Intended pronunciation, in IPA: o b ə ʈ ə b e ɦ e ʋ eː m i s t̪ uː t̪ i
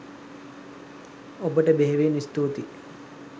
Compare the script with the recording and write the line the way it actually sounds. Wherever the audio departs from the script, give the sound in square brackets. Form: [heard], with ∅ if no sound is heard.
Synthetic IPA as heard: o b ə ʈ ə b e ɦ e ʋ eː [n] i s t̪ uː t̪ i